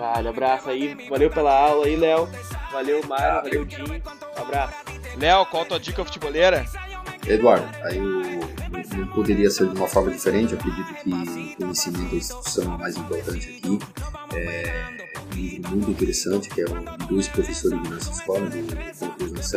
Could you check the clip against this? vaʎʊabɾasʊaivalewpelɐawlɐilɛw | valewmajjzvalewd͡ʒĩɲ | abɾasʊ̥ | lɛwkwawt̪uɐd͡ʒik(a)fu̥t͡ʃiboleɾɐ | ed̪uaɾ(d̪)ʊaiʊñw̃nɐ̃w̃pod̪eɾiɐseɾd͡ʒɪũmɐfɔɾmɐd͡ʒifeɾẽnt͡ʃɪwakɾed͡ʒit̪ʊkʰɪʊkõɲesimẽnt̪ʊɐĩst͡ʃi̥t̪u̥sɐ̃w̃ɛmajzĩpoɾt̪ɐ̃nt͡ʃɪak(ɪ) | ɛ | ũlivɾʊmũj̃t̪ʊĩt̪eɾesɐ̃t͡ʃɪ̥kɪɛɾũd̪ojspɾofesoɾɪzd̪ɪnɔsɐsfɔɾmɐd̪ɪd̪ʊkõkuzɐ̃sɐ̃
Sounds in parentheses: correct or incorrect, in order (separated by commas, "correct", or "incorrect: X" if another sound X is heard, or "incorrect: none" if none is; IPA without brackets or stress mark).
incorrect: ɐ, correct, incorrect: i